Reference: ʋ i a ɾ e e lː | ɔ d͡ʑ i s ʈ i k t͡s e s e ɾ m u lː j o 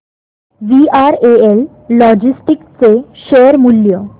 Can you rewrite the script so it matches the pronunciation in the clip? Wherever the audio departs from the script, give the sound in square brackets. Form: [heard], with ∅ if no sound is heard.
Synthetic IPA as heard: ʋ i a ɾ e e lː | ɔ d͡ʑ i s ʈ i k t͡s e [ʃ] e ɾ m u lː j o